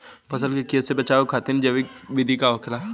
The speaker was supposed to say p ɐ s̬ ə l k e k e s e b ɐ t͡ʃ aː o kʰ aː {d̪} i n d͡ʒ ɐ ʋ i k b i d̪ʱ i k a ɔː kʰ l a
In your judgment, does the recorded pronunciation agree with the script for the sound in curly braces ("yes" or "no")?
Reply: no